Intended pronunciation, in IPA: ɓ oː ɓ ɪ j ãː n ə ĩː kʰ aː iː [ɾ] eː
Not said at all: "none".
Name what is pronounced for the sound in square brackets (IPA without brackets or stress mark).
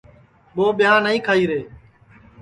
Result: ɾ